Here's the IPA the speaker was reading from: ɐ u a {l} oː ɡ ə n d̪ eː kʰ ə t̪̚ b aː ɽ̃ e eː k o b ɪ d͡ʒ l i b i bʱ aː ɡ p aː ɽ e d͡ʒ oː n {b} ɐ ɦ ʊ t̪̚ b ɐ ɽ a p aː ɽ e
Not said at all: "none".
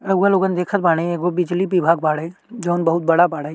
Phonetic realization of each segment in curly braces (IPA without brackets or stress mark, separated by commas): l, b